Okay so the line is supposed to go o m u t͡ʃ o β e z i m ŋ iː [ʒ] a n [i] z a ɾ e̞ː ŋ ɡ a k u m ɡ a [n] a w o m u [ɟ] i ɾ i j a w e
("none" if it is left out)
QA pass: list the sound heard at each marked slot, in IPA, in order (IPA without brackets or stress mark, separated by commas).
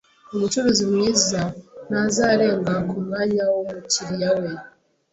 z, a, ɲ, c